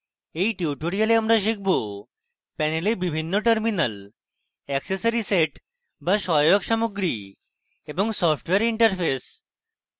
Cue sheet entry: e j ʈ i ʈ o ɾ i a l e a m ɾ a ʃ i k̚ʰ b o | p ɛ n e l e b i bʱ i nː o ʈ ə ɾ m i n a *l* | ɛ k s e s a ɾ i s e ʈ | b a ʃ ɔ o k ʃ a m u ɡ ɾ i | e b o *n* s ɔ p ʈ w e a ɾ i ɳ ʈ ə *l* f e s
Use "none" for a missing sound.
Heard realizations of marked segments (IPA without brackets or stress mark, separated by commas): l, ŋ, ɾ